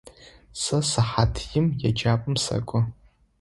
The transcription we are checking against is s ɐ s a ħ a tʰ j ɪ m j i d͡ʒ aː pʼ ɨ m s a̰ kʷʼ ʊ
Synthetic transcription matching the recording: s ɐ s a ħ a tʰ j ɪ m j a d͡ʒ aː pʼ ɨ m s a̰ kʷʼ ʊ